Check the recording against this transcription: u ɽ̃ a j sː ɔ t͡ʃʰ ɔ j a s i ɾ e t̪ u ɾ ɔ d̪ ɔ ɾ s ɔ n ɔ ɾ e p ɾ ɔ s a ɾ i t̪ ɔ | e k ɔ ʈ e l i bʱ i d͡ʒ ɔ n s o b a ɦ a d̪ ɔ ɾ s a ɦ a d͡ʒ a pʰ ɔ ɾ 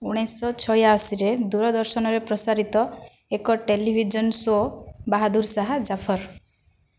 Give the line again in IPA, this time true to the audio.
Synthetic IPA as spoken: u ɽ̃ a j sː ɔ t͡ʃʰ ɔ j a s i ɾ e d̪ u ɾ ɔ d̪ ɔ ɾ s ɔ n ɔ ɾ e p ɾ ɔ s a ɾ i t̪ ɔ | e k ɔ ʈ e l i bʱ i d͡ʒ ɔ n s o b a ɦ a d̪ u ɾ s a ɦ a d͡ʒ a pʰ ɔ ɾ